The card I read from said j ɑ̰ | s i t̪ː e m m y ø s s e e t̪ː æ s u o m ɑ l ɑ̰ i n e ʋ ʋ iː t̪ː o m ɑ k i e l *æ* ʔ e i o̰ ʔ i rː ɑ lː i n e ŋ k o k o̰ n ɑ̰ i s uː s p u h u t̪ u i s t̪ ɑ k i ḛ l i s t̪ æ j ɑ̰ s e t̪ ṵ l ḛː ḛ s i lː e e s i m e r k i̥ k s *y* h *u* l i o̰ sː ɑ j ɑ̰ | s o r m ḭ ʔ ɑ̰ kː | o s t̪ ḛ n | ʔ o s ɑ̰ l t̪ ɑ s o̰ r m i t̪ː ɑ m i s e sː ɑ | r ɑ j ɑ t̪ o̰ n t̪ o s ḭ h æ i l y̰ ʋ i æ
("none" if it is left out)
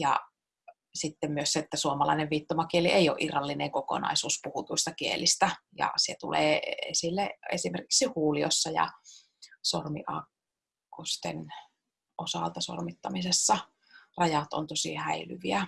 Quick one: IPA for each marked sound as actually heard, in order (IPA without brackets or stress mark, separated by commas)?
i, i, uː